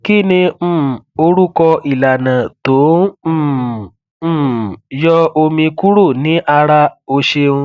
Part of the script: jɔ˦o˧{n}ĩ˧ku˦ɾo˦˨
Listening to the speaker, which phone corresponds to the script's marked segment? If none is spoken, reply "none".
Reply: m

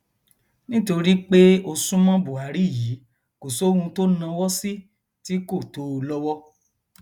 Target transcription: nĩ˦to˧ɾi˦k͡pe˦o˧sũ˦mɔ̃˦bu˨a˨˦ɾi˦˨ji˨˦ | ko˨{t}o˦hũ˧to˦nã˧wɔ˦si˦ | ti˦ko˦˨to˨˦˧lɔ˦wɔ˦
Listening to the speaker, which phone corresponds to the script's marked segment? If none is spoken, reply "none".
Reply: s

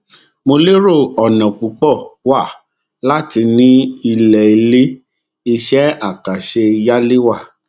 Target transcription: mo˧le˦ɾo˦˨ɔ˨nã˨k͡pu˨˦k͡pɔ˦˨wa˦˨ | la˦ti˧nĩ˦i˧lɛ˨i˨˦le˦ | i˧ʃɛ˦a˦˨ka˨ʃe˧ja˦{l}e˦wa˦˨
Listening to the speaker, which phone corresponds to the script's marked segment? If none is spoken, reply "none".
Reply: l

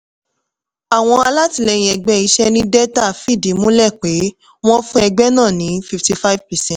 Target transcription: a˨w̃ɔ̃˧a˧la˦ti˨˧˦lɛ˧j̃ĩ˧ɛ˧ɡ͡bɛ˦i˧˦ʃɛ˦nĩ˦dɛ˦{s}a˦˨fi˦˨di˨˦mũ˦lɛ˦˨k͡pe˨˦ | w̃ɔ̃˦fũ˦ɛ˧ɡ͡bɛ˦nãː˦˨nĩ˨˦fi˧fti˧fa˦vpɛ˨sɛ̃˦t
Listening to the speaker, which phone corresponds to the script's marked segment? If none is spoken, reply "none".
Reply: t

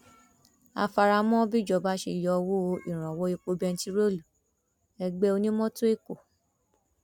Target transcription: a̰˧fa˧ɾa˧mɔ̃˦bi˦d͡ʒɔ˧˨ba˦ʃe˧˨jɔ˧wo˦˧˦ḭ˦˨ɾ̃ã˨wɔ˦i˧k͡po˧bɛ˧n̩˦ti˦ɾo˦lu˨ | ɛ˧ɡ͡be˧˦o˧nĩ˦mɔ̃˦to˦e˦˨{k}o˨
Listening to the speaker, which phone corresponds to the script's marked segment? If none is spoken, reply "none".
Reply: k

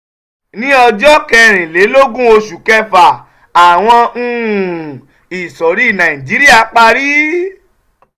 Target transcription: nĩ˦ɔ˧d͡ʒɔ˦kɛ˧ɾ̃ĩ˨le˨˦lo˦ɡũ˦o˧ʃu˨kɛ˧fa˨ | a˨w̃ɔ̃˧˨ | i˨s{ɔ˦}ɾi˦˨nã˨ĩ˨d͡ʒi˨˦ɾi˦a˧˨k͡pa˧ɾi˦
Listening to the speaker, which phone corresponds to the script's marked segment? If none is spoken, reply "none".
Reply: ɔ˨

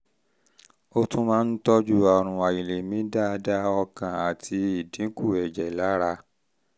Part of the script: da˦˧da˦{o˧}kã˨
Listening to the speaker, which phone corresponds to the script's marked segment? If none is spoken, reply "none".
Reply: ɔ˧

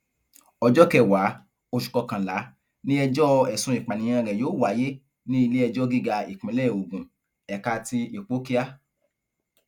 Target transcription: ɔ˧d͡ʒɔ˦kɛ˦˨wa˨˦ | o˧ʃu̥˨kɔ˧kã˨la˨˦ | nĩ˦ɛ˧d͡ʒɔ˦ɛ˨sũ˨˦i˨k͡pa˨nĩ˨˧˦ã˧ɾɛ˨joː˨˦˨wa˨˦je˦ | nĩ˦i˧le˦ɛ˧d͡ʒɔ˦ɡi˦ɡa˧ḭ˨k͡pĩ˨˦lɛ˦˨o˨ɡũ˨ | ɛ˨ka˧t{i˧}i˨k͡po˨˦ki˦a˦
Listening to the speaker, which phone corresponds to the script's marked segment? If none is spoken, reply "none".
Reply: i˧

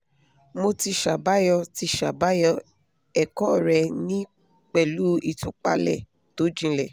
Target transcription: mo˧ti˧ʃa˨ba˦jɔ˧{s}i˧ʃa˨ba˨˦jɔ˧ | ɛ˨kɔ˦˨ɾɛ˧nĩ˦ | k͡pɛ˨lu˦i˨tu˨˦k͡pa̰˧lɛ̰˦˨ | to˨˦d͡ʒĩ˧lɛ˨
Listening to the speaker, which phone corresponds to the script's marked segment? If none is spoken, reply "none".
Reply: t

